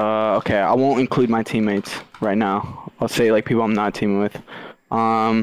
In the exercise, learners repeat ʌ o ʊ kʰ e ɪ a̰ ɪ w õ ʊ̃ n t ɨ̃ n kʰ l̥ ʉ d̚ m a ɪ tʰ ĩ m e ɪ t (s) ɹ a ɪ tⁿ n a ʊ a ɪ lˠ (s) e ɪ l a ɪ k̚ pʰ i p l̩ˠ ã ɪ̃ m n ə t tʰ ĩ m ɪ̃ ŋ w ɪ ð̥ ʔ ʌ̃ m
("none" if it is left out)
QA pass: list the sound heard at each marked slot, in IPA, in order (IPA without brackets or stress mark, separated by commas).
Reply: s, s